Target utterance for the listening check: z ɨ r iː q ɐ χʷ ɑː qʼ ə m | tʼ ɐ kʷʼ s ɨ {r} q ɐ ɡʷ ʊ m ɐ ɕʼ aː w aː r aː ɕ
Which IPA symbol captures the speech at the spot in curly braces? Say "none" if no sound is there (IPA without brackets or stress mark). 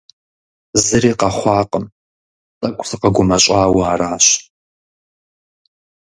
none